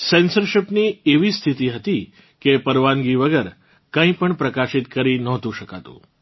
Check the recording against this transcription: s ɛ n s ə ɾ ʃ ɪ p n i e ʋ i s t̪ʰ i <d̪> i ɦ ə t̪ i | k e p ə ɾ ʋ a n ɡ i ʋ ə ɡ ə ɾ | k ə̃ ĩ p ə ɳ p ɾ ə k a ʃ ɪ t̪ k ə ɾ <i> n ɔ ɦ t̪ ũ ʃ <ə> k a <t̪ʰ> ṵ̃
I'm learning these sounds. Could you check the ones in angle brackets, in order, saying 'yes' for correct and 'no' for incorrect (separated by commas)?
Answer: no, yes, yes, no